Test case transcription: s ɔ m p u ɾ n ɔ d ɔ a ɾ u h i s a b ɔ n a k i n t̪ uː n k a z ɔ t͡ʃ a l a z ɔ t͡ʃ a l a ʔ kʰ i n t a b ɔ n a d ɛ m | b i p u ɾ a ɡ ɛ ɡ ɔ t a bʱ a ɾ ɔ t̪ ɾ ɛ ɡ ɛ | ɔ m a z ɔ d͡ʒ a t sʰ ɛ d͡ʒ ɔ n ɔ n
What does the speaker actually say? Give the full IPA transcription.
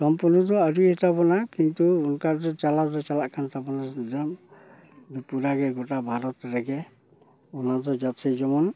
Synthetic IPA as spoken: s ɔ m p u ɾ n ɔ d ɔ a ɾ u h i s a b ɔ n a k i n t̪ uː n k a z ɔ t͡ʃ a l a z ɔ t͡ʃ a l a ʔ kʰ a n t a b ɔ n a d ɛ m | b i p u ɾ a ɡ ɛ ɡ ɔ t a bʱ a ɾ ɔ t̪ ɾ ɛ ɡ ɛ | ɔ n a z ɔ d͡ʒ a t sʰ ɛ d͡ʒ ɔ m ɔ n